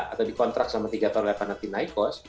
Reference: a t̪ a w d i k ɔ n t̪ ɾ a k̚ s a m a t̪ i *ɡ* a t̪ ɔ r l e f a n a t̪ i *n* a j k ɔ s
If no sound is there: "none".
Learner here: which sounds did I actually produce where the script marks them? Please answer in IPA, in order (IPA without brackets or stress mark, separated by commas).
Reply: ɡ, n